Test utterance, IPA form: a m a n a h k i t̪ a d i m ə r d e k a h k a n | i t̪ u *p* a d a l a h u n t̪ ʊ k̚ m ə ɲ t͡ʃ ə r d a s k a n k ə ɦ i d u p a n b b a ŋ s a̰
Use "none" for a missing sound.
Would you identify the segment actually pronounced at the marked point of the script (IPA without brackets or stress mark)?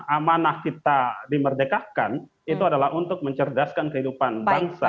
none